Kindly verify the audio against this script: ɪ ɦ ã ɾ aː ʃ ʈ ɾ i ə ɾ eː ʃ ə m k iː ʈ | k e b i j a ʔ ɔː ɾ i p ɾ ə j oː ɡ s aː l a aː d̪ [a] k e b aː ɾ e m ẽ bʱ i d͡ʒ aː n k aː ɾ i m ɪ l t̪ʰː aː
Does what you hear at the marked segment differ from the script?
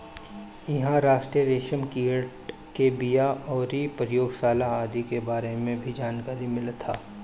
yes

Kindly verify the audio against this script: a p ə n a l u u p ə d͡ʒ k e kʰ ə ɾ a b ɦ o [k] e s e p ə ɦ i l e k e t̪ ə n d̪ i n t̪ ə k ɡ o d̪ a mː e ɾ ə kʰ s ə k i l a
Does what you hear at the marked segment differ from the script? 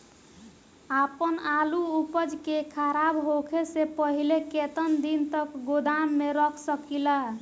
yes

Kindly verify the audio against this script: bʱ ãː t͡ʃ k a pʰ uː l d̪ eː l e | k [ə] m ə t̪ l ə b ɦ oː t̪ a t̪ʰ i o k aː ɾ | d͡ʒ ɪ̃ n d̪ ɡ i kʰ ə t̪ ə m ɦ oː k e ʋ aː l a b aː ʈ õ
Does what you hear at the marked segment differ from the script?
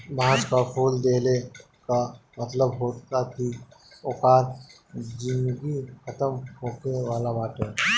yes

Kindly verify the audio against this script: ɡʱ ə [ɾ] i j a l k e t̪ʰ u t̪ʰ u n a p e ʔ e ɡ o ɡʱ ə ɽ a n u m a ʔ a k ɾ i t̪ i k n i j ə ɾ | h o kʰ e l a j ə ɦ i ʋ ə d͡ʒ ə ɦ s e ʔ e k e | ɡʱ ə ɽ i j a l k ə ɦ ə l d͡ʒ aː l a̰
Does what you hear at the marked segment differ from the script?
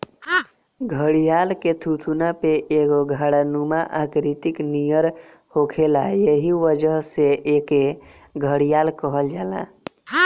yes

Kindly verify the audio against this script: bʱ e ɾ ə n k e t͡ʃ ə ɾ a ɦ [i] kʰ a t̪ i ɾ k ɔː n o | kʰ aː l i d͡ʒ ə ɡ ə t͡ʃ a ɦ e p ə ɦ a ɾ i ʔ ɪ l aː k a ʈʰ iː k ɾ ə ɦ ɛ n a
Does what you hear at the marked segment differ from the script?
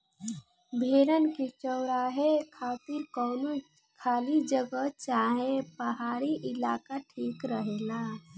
yes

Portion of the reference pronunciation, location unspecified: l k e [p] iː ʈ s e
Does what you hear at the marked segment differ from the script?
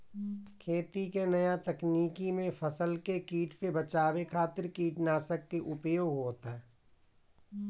yes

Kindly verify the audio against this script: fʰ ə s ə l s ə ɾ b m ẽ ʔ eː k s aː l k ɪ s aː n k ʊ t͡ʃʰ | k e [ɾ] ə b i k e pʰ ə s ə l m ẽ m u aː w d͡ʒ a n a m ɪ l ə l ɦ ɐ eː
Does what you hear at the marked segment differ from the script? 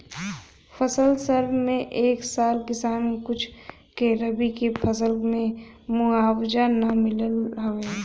no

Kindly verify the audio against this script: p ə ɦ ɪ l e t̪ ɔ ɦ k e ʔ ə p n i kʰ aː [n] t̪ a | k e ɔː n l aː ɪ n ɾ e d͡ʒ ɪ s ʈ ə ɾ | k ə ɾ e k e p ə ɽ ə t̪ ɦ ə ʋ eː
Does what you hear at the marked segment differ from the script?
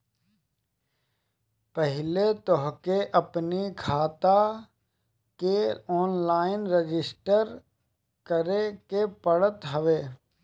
yes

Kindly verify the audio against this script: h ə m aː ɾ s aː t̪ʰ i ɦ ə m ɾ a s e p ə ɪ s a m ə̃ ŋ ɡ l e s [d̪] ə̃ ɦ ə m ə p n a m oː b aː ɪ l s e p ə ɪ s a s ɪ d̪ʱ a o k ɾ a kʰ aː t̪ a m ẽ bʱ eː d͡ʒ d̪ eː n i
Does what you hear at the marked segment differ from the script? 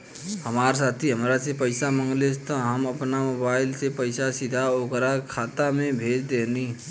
yes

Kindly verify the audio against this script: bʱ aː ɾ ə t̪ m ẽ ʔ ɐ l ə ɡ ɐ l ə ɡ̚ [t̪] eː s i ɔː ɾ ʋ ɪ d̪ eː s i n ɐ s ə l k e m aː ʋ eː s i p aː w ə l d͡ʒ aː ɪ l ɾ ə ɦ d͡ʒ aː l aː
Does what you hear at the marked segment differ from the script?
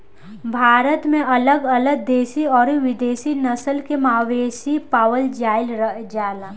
yes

